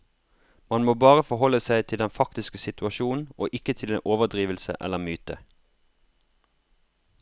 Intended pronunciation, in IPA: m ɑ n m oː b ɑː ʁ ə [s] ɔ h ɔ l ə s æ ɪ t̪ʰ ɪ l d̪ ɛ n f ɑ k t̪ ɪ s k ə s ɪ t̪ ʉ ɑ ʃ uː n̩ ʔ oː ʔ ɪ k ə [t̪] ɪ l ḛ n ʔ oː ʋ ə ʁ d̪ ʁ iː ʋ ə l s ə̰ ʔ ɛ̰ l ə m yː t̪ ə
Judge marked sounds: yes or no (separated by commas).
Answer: no, no